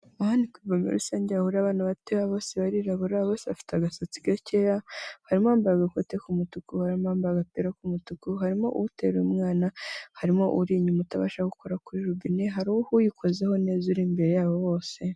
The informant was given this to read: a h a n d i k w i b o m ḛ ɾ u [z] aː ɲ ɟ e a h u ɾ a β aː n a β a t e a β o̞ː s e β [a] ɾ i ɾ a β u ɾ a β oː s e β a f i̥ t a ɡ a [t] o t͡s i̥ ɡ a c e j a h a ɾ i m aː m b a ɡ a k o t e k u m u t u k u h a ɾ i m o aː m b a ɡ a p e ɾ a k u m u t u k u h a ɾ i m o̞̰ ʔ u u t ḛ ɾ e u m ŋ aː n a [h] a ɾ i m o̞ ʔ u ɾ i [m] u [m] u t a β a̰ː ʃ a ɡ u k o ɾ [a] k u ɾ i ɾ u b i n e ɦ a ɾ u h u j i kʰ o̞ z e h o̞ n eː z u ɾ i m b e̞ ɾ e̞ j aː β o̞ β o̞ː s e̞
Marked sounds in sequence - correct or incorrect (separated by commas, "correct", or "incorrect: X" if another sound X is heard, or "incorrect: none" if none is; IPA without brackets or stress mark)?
incorrect: s, correct, incorrect: s, correct, incorrect: ɲ, correct, correct